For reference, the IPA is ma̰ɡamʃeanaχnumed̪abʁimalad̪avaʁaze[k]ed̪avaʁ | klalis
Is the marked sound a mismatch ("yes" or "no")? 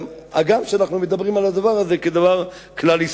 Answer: no